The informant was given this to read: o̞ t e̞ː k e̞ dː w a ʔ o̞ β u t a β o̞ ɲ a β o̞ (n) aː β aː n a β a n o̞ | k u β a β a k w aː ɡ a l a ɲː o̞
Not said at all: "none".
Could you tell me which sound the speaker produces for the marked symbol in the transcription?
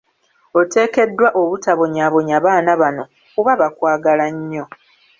ɲ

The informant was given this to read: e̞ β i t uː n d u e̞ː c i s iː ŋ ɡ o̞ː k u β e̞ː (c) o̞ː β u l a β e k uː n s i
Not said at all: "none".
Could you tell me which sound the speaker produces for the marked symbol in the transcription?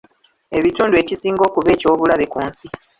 c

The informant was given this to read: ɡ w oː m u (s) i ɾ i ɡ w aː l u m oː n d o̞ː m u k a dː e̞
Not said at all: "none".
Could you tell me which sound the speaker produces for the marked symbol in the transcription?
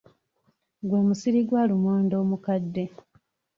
s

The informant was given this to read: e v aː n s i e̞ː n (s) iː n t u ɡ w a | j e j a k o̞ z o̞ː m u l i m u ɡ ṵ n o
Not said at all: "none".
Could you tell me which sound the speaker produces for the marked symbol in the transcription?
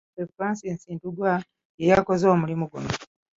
s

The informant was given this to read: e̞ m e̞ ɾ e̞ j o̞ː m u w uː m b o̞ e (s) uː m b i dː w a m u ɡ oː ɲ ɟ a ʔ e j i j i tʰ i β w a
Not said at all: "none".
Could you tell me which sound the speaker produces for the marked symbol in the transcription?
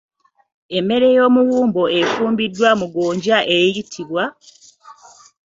f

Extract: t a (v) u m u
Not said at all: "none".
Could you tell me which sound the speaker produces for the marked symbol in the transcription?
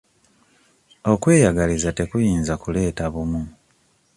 β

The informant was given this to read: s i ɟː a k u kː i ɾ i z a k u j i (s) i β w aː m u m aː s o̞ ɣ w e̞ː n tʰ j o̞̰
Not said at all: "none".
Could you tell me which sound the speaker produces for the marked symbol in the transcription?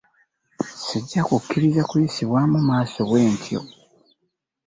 s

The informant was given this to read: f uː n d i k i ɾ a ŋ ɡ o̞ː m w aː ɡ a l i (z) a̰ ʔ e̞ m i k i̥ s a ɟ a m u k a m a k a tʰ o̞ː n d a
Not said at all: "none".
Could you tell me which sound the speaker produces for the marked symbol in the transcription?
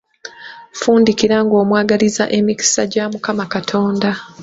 z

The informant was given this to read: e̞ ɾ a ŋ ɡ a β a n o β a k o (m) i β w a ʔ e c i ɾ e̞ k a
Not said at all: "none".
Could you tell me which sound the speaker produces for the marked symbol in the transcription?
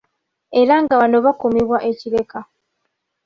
m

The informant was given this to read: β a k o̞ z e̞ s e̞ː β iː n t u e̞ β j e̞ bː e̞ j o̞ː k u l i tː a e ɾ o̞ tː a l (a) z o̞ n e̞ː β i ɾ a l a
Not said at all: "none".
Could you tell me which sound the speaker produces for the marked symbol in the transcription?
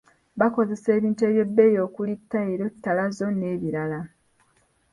a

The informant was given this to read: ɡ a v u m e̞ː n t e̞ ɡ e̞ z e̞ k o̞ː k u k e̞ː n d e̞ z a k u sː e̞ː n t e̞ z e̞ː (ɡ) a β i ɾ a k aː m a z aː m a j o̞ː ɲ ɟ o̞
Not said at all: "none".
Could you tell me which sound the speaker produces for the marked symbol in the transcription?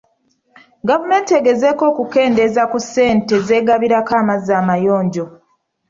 ɡ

